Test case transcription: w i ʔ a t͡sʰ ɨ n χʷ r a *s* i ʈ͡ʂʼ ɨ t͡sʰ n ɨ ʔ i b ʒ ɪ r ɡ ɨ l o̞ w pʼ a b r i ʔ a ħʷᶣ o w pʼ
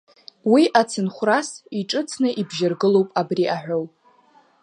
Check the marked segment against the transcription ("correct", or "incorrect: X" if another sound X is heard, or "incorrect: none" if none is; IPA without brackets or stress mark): correct